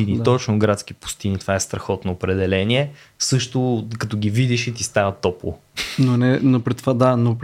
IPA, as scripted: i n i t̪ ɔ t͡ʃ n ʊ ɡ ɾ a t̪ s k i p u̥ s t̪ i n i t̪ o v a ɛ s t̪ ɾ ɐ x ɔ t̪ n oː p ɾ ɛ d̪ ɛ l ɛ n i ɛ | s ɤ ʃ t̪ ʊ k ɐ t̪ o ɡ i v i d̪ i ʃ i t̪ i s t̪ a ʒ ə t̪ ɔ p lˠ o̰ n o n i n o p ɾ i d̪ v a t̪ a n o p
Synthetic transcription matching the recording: i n i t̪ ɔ t͡ʃ n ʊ ɡ ɾ a t̪ s k i p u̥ s t̪ i n i t̪ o v a ɛ s t̪ ɾ ɐ x ɔ t̪ n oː p ɾ ɛ d̪ ɛ l ɛ n i ɛ | s ɤ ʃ t̪ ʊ k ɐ t̪ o ɡ i v i d̪ i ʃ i t̪ i s t̪ a v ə t̪ ɔ p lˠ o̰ n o n ɛ n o p ɾ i t̪ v a d̪ a n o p